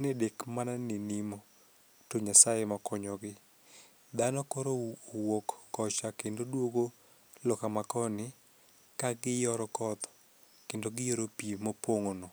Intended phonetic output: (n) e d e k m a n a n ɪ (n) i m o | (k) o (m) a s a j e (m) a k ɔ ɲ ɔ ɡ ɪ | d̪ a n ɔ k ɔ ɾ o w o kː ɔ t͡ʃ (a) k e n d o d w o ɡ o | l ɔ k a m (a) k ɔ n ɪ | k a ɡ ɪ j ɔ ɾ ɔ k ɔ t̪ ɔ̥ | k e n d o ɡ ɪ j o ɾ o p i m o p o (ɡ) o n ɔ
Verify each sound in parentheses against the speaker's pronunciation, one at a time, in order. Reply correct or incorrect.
correct, correct, incorrect, incorrect, correct, correct, correct, incorrect

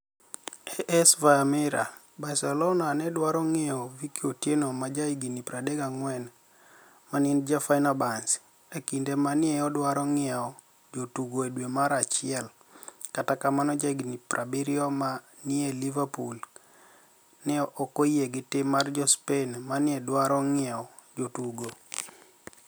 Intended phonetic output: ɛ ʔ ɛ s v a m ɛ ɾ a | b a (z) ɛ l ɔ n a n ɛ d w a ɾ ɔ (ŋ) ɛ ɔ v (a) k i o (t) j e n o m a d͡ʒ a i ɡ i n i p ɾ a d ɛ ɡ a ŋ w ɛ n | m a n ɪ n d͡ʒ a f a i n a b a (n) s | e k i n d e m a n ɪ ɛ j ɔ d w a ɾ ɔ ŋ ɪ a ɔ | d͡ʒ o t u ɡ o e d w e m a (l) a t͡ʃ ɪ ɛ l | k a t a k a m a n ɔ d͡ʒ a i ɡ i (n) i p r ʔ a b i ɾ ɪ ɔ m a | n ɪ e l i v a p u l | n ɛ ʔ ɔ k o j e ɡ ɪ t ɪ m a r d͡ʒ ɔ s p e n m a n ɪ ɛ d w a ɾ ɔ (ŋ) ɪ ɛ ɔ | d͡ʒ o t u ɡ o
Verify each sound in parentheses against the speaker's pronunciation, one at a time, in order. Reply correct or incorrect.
incorrect, correct, incorrect, correct, correct, incorrect, correct, correct

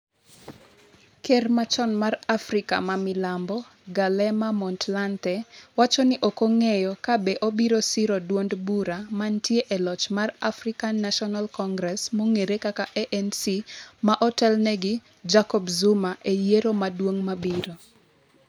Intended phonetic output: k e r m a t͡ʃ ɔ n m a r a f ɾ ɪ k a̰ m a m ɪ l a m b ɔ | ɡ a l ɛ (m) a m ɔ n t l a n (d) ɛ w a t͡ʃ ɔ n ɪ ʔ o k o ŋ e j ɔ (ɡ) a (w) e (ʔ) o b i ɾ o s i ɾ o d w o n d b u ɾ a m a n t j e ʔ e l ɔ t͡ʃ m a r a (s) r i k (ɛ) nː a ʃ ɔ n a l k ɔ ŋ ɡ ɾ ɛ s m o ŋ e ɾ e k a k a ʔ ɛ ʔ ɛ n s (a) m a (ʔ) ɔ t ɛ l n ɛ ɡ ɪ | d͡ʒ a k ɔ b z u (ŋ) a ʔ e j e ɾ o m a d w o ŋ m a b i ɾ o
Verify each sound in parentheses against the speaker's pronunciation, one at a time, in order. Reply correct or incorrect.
correct, incorrect, incorrect, incorrect, correct, incorrect, incorrect, incorrect, correct, incorrect

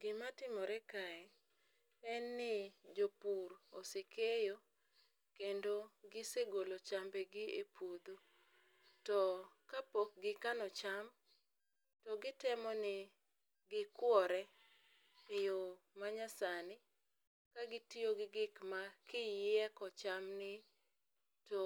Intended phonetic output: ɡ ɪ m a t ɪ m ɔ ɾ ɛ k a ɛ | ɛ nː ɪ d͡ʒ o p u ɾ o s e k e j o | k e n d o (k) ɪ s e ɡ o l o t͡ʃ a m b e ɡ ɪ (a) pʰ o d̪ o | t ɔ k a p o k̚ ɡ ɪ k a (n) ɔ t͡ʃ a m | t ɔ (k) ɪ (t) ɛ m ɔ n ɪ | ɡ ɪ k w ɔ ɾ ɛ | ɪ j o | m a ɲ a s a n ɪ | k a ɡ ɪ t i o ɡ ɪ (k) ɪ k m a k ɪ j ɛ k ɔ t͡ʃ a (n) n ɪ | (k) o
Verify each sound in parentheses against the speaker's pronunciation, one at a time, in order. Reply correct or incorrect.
incorrect, incorrect, correct, incorrect, correct, incorrect, incorrect, incorrect

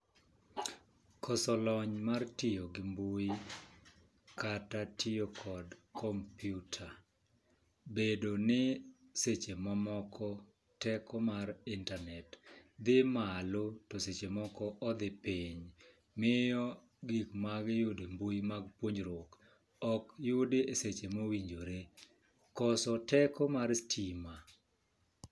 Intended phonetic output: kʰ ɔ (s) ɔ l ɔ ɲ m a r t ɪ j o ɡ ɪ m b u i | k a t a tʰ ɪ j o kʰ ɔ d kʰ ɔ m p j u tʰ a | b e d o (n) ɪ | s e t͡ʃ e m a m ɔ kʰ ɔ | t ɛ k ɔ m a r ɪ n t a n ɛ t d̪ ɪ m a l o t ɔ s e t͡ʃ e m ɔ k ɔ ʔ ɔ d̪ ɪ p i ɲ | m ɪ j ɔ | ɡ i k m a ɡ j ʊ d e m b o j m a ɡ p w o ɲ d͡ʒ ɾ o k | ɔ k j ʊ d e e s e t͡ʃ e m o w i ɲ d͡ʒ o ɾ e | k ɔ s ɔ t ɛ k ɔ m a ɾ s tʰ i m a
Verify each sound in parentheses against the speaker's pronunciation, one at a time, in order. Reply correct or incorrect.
correct, correct

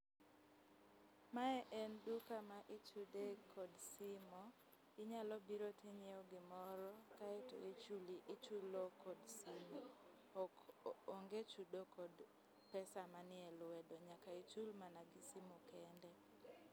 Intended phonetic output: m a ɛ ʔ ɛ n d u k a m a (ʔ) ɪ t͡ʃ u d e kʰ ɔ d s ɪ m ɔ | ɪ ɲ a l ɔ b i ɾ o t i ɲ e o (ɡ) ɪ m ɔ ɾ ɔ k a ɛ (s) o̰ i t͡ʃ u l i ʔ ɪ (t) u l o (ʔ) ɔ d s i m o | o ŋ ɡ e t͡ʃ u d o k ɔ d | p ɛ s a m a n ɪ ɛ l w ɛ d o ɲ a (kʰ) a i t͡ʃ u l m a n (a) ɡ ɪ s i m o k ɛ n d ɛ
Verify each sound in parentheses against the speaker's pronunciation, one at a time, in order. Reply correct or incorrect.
correct, correct, incorrect, incorrect, incorrect, incorrect, correct

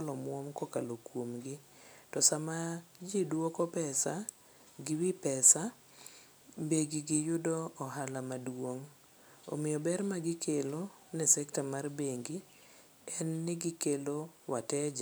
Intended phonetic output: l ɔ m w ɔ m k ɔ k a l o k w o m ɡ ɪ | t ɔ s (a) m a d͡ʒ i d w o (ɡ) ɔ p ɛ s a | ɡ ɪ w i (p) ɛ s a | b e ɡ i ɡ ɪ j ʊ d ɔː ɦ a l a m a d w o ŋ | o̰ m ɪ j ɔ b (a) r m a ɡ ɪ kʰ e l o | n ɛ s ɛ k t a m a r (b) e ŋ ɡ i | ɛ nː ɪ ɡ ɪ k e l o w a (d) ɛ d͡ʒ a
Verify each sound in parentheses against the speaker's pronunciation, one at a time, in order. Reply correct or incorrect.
correct, incorrect, correct, incorrect, correct, incorrect

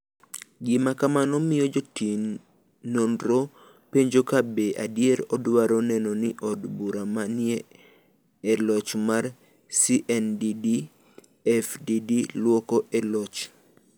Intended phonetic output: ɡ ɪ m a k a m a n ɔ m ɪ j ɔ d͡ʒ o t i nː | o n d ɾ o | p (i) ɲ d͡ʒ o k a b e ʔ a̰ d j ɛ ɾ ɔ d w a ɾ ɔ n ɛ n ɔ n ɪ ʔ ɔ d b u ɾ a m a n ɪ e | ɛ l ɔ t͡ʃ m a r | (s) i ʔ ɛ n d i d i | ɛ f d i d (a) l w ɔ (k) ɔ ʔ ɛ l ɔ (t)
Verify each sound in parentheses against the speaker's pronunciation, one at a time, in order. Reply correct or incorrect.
incorrect, correct, incorrect, correct, incorrect

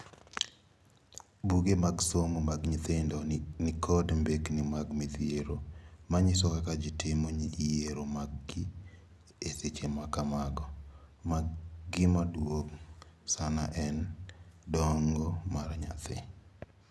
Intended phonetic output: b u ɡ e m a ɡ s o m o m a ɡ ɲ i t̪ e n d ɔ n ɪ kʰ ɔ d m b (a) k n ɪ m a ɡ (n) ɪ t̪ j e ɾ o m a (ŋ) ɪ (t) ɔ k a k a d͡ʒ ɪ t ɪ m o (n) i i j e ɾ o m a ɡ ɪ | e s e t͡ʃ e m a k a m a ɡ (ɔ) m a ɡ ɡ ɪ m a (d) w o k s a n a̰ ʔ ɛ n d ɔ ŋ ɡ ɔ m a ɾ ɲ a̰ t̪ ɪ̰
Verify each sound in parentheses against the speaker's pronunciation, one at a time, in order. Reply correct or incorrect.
incorrect, incorrect, incorrect, incorrect, incorrect, correct, correct

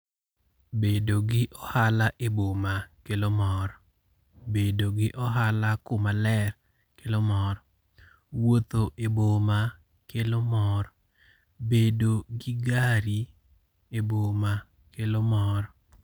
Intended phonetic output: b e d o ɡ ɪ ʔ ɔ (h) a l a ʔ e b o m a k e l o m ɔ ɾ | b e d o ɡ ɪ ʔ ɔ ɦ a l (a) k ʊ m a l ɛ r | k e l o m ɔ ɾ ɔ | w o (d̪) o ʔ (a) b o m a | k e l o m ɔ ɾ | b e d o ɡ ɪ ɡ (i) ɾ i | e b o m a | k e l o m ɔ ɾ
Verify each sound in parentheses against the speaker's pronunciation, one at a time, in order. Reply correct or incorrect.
correct, correct, incorrect, incorrect, incorrect

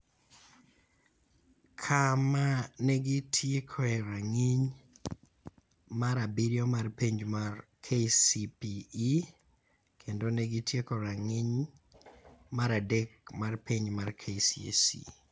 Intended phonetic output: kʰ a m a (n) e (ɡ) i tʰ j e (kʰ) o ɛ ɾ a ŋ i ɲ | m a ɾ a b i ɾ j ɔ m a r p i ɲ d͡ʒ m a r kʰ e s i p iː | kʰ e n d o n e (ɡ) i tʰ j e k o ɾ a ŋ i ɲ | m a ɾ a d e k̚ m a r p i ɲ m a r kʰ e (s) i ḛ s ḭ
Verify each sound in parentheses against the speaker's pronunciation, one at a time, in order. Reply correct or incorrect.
correct, correct, correct, correct, correct

